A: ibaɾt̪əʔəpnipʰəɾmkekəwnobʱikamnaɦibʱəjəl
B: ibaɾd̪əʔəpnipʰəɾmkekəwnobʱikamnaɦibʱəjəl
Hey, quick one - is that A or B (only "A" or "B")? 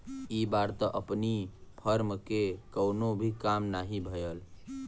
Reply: A